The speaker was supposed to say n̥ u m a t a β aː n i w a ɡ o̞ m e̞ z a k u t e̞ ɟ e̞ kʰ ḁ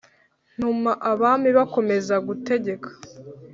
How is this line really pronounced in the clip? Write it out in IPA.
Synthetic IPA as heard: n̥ u m a ʔ a β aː m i β a k o̞ m e̞ z a ɡ u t e̞ ɟ e̞ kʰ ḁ